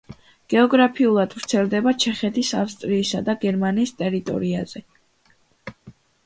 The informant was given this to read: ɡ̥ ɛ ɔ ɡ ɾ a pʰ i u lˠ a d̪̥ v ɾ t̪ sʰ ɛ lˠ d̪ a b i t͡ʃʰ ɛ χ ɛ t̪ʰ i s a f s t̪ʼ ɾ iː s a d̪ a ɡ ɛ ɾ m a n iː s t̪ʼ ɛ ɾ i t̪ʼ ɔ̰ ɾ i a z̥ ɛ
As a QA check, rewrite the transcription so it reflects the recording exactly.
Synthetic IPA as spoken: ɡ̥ ɛ ɔ ɡ ɾ a pʰ i u lˠ a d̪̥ v ɾ t̪ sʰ ɛ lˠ d̪ ɛ b a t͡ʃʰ ɛ χ ɛ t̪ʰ i s a f s t̪ʼ ɾ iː s a d̪ a ɡ ɛ ɾ m a n iː s t̪ʼ ɛ ɾ i t̪ʼ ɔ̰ ɾ i a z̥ ɛ